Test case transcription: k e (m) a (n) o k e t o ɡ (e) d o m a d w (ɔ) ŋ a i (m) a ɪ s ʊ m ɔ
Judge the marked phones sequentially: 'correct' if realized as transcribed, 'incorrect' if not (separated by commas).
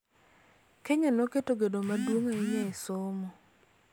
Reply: incorrect, correct, correct, incorrect, incorrect